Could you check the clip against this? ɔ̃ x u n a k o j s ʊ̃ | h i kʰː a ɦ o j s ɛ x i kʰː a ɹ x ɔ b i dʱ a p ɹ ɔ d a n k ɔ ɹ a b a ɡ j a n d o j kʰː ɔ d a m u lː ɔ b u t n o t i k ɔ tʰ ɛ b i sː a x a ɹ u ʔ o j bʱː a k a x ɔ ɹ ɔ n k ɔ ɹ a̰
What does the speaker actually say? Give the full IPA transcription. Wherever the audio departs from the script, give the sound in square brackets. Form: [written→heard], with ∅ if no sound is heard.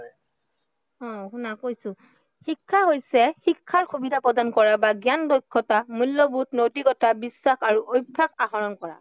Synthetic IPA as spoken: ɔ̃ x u n a k o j s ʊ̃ | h i kʰː a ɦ o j s ɛ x i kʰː a ɹ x [ɔ→u] b i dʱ a p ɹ ɔ d a n k ɔ ɹ a b a ɡ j a n d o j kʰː ɔ [d→t] a m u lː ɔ b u t n o t i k ɔ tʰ [ɛ→a] b i sː a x a ɹ u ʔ o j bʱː a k a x ɔ ɹ ɔ n k ɔ ɹ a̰